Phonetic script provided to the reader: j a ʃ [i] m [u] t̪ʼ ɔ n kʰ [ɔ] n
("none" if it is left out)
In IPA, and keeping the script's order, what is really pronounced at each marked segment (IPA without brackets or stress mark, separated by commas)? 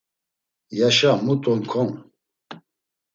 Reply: a, u, ɔ